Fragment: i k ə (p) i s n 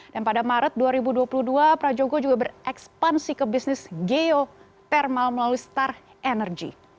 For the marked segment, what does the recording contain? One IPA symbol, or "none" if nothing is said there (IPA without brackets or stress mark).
b